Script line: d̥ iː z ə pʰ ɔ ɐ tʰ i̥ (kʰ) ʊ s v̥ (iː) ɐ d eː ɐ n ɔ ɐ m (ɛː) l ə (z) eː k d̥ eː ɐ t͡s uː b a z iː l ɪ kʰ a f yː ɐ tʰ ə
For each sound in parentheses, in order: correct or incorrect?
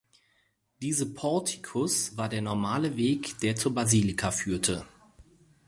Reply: correct, incorrect, incorrect, incorrect

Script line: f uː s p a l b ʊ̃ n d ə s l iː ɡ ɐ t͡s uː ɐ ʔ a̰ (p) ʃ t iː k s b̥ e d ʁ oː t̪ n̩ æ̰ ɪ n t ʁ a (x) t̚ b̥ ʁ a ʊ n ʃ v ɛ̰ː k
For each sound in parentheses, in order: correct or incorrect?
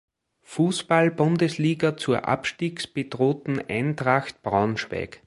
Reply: correct, correct

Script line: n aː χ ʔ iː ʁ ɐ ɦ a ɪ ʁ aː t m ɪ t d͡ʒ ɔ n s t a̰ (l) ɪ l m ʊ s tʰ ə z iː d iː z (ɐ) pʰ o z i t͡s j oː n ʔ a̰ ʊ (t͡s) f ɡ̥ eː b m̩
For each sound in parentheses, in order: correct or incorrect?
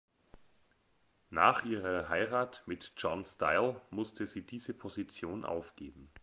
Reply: incorrect, incorrect, incorrect

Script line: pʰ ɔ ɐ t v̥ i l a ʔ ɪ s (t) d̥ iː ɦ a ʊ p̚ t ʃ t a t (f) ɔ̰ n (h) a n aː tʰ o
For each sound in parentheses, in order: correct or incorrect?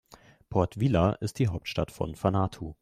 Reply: correct, correct, incorrect

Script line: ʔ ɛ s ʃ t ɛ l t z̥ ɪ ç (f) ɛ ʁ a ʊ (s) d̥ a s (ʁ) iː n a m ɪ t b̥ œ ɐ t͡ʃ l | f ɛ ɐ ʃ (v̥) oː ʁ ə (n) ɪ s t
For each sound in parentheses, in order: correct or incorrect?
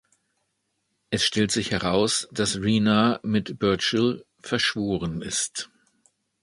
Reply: incorrect, correct, correct, correct, correct

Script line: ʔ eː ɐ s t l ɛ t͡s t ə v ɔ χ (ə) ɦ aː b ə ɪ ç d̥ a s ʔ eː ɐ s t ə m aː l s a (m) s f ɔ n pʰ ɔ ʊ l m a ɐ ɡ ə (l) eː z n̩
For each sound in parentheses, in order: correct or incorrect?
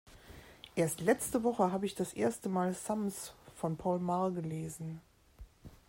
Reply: correct, correct, correct

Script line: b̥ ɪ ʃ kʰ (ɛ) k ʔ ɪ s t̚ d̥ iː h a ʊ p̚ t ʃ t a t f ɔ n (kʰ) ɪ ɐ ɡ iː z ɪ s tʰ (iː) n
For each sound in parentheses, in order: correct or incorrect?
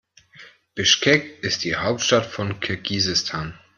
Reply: correct, correct, incorrect

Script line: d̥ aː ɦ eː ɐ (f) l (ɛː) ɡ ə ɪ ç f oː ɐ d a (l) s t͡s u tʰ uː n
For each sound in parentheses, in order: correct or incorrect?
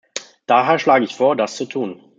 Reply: incorrect, incorrect, incorrect

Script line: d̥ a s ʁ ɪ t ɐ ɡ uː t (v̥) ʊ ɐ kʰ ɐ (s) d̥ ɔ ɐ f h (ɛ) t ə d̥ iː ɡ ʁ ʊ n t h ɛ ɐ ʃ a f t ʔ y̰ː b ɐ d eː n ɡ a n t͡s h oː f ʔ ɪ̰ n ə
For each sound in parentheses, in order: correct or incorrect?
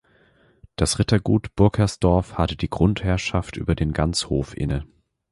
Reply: incorrect, correct, incorrect

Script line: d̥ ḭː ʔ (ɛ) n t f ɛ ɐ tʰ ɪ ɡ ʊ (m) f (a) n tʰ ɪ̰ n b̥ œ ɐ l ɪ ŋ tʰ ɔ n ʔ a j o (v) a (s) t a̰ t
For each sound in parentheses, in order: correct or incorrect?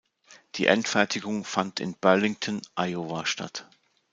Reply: correct, incorrect, correct, correct, incorrect

